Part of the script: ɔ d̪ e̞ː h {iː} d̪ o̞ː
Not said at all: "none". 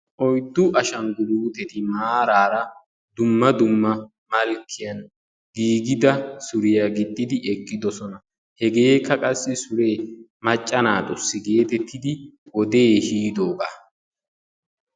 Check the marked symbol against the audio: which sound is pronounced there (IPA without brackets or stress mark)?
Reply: iː